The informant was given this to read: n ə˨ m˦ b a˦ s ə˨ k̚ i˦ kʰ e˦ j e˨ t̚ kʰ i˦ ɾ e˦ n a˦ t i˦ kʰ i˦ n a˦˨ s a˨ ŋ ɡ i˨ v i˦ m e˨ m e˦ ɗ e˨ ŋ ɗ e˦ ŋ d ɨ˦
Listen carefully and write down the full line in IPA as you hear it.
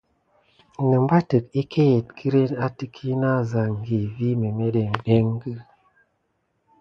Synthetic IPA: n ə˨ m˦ b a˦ t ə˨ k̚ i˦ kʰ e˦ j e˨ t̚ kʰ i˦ ɾ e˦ n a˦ t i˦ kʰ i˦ n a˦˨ z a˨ ŋ ɡ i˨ v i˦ m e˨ m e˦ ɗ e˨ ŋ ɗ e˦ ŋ ɡ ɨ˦